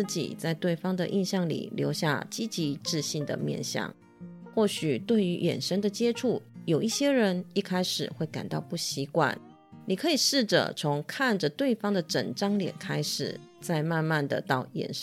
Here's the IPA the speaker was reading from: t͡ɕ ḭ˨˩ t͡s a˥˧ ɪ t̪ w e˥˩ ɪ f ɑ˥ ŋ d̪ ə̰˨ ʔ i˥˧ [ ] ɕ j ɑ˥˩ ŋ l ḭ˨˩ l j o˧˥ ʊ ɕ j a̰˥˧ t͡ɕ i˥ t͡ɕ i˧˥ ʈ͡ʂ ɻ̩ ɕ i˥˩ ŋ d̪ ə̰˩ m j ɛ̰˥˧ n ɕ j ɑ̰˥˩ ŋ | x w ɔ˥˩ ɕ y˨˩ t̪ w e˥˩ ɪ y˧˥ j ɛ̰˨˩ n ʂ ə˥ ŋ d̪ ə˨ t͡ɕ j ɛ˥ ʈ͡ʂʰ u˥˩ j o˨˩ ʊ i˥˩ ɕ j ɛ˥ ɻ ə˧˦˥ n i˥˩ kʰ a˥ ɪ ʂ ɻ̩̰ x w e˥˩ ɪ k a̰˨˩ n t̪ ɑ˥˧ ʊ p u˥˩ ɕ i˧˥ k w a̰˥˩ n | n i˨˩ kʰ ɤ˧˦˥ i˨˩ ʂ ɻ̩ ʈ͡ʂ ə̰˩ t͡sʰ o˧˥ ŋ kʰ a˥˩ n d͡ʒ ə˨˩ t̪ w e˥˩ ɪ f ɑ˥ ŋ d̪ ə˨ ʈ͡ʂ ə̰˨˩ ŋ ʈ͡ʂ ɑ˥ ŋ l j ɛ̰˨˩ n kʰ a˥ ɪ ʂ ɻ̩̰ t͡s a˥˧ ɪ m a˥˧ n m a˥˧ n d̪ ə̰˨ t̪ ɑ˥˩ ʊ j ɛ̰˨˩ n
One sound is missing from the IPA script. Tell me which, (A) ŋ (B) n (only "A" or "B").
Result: B